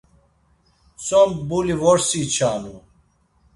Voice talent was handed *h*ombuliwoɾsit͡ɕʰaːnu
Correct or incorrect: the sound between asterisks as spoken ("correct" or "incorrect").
incorrect